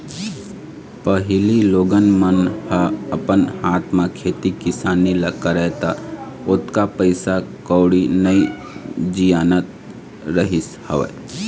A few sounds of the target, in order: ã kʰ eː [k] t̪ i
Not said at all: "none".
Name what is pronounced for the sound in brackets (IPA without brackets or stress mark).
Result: none